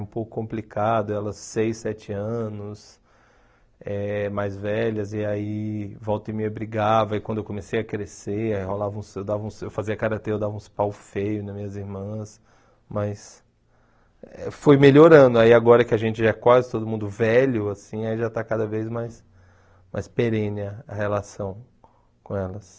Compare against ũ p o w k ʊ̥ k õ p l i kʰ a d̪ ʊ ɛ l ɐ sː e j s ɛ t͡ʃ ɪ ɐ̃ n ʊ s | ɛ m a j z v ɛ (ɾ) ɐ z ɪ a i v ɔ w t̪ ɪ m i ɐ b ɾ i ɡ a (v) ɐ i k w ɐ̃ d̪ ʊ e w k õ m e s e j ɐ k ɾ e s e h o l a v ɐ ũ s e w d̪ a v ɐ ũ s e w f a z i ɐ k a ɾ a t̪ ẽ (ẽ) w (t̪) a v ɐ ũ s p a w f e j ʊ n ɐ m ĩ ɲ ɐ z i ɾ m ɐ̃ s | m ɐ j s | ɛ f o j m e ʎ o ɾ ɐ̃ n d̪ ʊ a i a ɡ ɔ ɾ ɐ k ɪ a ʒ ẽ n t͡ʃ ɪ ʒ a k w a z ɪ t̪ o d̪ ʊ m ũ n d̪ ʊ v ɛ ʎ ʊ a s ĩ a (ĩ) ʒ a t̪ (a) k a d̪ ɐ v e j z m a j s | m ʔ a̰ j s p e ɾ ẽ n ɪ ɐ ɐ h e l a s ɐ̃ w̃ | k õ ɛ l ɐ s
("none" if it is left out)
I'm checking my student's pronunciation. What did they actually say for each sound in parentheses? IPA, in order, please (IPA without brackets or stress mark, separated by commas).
ʎ, v, e, d̪, i, a